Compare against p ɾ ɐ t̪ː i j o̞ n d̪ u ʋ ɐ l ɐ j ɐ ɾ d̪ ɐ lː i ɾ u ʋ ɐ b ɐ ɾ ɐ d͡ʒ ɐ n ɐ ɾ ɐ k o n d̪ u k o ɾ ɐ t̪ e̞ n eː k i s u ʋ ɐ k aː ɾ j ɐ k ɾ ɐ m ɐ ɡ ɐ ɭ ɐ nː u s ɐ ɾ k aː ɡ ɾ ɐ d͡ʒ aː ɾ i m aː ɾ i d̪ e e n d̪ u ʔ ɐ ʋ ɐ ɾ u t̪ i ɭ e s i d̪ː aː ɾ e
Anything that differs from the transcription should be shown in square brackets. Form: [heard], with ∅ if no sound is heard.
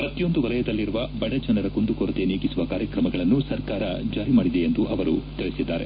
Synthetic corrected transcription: p ɾ ɐ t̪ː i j o̞ n d̪ u ʋ ɐ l ɐ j ɐ [∅] d̪ ɐ lː i ɾ u ʋ ɐ b ɐ [ɽ] ɐ d͡ʒ ɐ n ɐ ɾ ɐ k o n d̪ u k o ɾ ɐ t̪ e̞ n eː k i s u ʋ ɐ k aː ɾ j ɐ k ɾ ɐ m ɐ ɡ ɐ ɭ ɐ nː u s ɐ ɾ k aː [∅] ɾ ɐ d͡ʒ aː ɾ i m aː [ɽ] i d̪ e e n d̪ u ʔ ɐ ʋ ɐ ɾ u t̪ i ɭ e s i d̪ː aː ɾ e